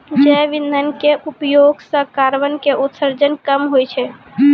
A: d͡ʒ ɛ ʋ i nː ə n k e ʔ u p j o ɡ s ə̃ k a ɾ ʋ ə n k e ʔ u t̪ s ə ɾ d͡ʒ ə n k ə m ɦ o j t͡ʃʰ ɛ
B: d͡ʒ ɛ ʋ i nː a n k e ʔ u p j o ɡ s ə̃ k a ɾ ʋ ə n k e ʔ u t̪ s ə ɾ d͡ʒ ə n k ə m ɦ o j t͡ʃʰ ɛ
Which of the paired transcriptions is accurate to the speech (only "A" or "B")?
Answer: A